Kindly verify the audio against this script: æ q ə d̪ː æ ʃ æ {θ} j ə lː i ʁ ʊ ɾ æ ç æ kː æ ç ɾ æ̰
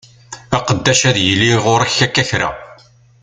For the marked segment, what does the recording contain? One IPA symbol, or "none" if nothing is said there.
ð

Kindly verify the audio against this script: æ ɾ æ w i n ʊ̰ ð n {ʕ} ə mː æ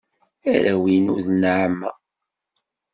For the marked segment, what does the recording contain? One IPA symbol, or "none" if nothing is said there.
ʕ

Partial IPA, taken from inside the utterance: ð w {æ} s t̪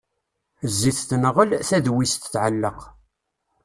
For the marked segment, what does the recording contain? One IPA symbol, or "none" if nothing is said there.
i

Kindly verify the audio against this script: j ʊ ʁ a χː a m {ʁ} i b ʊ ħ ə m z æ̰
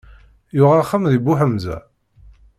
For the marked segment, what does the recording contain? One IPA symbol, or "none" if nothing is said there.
ð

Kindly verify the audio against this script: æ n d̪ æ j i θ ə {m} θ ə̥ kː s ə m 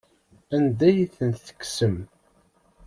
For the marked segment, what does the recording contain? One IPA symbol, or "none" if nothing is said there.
n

